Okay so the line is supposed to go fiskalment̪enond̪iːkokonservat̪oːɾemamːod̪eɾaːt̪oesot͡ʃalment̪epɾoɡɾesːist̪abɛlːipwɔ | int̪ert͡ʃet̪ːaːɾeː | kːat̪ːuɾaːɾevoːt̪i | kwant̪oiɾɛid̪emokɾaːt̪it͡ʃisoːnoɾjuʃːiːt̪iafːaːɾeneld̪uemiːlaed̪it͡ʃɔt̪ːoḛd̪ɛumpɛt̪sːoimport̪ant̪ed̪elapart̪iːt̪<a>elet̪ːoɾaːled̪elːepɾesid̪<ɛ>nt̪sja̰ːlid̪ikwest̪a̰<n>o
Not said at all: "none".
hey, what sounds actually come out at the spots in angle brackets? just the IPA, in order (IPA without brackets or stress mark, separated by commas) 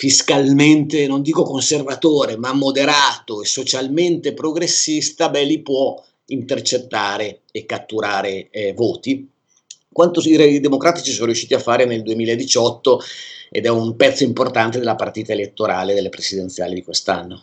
a, e, nː